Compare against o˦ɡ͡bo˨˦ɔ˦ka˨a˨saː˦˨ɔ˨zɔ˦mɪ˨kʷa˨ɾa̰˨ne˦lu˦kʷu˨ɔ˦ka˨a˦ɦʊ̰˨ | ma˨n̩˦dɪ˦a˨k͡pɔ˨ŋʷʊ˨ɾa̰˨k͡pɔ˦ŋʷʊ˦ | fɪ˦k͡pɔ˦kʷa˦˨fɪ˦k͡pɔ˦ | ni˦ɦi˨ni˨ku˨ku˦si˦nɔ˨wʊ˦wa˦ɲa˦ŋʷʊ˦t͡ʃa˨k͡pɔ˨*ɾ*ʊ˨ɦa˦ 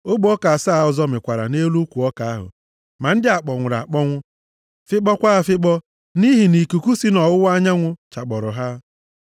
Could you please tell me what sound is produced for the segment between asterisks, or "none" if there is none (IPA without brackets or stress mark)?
ɾ